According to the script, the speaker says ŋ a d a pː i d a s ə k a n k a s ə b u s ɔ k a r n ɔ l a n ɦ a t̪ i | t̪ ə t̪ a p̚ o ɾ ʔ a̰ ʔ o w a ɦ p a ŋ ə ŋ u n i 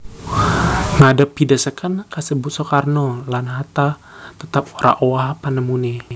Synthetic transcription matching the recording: ŋ a d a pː i d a s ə k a n k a s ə b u s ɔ k a r n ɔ l a n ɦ a t̪ a | t̪ ə t̪ a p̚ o ɾ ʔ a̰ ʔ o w a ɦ p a n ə m u n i